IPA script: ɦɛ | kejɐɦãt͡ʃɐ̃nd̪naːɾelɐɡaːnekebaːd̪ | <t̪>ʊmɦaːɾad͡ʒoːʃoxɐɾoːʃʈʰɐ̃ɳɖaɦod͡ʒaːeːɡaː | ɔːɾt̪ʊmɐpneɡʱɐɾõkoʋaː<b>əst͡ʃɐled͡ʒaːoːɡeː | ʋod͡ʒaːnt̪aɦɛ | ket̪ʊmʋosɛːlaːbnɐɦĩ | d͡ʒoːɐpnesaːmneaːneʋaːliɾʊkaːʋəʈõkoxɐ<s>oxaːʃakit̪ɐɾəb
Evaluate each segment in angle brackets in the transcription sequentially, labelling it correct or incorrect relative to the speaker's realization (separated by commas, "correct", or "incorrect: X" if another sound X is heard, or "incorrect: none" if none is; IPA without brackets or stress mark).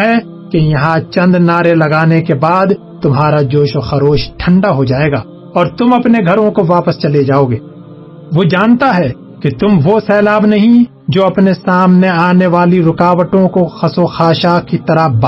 correct, incorrect: p, correct